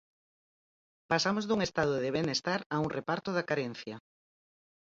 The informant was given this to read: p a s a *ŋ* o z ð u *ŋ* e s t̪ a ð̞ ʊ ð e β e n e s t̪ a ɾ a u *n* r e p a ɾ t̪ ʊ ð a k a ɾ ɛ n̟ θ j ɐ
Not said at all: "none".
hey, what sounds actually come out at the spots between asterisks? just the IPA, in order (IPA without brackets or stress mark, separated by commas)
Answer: m, ŋ, ŋ